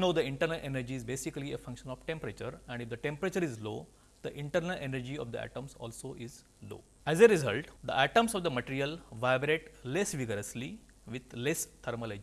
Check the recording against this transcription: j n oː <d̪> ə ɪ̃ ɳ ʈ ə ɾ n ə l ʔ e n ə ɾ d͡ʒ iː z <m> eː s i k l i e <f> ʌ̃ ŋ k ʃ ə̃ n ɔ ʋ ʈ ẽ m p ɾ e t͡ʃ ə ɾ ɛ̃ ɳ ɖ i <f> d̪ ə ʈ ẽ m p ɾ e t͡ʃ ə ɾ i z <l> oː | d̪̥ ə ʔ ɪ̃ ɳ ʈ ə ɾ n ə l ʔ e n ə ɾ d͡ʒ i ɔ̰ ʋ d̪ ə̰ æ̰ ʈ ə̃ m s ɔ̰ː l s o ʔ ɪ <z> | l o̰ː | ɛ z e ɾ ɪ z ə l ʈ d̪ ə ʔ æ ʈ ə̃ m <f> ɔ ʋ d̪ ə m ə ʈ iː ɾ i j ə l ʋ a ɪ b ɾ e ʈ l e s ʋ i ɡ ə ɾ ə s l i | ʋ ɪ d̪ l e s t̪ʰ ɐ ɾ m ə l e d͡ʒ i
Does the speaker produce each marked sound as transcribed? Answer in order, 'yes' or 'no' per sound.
yes, no, yes, yes, yes, yes, no

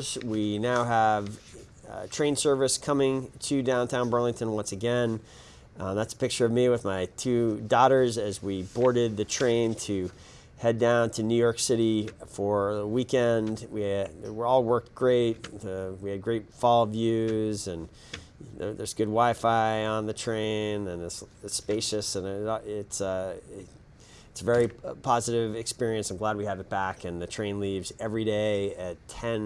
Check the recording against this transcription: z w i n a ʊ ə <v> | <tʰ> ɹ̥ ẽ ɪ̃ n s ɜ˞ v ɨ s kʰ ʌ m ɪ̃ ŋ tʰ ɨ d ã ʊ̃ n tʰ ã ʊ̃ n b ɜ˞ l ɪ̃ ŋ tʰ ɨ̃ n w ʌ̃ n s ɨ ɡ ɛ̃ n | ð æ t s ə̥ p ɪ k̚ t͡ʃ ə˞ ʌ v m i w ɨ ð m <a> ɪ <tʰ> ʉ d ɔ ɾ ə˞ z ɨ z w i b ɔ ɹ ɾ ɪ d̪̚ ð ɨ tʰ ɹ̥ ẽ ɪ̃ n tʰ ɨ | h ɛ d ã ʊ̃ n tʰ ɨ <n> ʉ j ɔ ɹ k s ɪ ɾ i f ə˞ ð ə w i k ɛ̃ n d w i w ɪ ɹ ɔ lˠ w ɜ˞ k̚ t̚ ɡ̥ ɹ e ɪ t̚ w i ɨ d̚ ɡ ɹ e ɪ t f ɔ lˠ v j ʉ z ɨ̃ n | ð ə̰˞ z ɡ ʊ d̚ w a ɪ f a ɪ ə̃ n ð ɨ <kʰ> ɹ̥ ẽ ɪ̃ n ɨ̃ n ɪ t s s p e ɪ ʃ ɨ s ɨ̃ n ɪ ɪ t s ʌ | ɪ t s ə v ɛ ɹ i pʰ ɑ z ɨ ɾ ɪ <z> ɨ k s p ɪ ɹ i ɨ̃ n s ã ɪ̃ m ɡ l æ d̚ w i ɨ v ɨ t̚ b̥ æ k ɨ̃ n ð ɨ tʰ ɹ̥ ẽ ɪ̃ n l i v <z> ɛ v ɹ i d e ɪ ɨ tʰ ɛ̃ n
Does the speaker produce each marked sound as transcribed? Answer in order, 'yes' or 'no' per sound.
yes, yes, yes, yes, yes, no, no, yes

